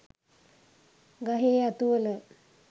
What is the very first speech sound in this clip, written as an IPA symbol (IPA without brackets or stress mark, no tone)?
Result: ɡ